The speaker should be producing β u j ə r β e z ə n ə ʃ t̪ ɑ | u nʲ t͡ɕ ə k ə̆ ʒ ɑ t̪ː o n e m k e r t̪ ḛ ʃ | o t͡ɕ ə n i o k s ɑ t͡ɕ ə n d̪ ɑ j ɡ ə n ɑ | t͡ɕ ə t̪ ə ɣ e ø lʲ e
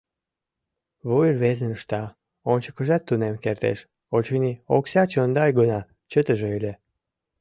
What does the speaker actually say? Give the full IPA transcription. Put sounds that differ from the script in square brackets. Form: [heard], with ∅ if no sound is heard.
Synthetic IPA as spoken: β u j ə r β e z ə n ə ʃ t̪ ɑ | [o] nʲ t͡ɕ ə k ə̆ ʒ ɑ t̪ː [u] n e m k e r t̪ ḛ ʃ | o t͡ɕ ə n i o k s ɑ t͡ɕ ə n d̪ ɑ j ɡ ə n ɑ | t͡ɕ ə t̪ ə [ʒ] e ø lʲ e